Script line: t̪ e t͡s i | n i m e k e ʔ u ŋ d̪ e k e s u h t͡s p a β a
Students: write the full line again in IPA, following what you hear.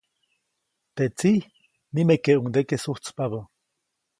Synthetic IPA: t̪ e t͡s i | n i m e k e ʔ u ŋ d̪ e k e s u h t͡s p a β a